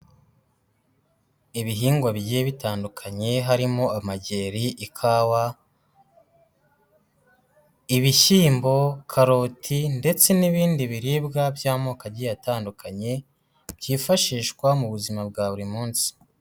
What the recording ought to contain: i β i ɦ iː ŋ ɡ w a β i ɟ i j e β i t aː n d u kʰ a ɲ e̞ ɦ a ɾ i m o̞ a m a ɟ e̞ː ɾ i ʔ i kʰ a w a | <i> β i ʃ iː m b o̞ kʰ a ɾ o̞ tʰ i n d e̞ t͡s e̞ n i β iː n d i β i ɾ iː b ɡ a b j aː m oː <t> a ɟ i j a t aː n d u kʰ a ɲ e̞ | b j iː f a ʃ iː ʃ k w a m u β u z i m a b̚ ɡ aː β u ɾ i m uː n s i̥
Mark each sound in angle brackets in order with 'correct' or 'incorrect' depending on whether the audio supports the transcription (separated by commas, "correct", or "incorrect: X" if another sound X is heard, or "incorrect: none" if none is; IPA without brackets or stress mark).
correct, incorrect: k